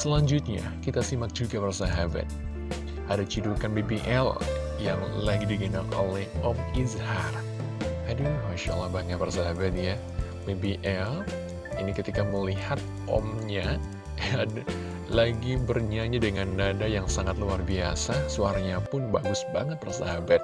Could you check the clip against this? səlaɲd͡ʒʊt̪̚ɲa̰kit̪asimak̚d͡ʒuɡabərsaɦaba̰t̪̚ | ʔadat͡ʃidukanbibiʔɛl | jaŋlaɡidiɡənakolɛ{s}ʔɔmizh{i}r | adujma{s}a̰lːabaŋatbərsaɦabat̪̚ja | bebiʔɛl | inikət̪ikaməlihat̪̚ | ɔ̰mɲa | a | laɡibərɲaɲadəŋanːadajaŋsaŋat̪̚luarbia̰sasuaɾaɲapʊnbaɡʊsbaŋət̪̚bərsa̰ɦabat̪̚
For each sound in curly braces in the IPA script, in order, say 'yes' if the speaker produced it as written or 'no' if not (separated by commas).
no, no, no